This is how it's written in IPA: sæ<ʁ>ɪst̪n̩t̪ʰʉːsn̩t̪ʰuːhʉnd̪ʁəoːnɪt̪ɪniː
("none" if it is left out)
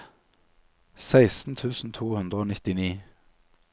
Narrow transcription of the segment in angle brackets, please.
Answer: none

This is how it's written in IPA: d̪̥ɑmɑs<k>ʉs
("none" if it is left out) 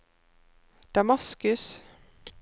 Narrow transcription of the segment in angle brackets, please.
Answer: k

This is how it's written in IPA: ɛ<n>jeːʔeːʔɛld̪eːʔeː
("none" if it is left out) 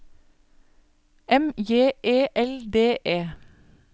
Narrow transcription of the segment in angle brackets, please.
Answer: m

